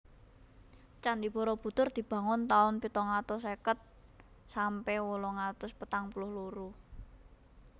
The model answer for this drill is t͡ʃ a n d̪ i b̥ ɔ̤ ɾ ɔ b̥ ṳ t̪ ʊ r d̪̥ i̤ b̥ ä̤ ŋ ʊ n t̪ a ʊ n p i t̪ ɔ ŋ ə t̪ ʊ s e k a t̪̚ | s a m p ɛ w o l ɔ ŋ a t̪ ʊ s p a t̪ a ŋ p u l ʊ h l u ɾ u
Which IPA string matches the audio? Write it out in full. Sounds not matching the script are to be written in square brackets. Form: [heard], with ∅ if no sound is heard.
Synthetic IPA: t͡ʃ a n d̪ i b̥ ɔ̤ ɾ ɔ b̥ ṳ t̪ ʊ r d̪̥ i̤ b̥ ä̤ ŋ ʊ n t̪ a ʊ n p i t̪ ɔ ŋ [a] t̪ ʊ s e k [ə] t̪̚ | s a m p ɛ w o l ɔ ŋ a t̪ ʊ s p [ə] t̪ a ŋ p u l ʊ h l u ɾ u